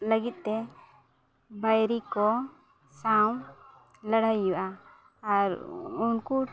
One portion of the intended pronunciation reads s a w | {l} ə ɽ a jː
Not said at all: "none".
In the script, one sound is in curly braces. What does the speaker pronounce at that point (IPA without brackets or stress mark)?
l